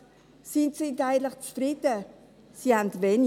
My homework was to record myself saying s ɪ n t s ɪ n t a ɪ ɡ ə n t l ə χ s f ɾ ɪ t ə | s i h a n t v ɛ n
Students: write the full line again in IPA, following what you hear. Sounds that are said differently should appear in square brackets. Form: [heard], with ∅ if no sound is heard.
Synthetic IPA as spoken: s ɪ n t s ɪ n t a ɪ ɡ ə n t l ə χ [t͡s] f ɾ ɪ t ə | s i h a n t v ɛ n